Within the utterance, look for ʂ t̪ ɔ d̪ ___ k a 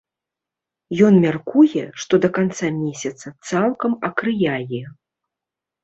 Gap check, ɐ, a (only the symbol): ɐ